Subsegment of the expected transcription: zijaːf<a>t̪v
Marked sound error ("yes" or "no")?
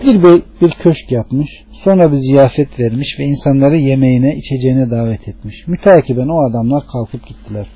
yes